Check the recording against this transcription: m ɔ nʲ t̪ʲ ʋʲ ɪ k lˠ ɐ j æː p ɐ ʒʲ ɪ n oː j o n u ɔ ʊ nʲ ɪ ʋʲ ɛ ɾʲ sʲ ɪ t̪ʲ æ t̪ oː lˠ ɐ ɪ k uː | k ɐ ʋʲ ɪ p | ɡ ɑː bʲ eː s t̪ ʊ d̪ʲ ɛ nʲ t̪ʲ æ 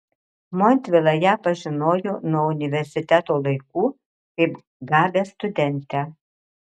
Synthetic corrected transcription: m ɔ nʲ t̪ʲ ʋʲ ɪ lˠ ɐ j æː p ɐ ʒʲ ɪ n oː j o n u ɔ ʊ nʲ ɪ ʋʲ ɛ ɾʲ sʲ ɪ t̪ʲ æ t̪ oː lˠ ɐ ɪ k uː | k ɐ ɪ p | ɡ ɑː bʲ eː s t̪ ʊ d̪ʲ ɛ nʲ t̪ʲ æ